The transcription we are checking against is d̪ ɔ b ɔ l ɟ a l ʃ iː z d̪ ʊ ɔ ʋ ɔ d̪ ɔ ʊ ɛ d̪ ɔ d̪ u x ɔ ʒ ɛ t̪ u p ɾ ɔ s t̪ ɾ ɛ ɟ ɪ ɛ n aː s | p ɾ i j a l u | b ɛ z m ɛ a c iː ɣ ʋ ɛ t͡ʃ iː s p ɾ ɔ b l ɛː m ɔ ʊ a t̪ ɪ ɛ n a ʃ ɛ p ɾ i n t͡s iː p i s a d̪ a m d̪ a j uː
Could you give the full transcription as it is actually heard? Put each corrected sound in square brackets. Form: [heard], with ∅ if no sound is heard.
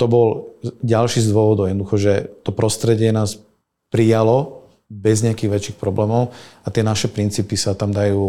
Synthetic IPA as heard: [t̪] ɔ b ɔ l ɟ a l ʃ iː z d̪ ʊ ɔ ʋ ɔ d̪ ɔ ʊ ɛ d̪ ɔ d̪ u x ɔ ʒ ɛ t̪ [ɔ] p ɾ ɔ s t̪ ɾ ɛ ɟ ɪ ɛ n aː s | p ɾ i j a l [ɔ] | b ɛ z [ɲ] ɛ a [k] iː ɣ ʋ ɛ t͡ʃ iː [x] p ɾ ɔ b l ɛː m ɔ ʊ a t̪ ɪ ɛ n a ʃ ɛ p ɾ i n t͡s iː p i s a [t̪] a m d̪ a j uː